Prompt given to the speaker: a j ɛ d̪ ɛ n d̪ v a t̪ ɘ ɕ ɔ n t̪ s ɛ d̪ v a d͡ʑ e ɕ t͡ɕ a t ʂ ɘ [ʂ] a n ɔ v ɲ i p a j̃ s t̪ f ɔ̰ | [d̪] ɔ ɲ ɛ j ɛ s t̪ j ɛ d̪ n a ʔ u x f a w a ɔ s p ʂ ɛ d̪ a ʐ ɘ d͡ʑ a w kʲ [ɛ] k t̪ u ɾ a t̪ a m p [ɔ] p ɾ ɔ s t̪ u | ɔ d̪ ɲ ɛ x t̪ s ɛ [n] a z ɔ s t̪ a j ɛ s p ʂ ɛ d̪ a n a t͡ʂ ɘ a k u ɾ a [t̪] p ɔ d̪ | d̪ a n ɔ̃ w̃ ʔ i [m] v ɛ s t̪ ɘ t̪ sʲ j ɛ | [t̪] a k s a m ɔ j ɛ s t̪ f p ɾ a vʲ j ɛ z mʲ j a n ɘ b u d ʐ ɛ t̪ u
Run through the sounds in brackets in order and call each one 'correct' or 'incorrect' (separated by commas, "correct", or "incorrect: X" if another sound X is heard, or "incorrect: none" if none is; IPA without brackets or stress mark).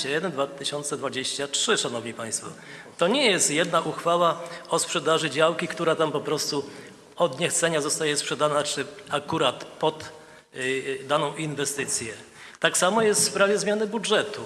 correct, incorrect: t̪, incorrect: i, correct, incorrect: ɲ, correct, incorrect: n, correct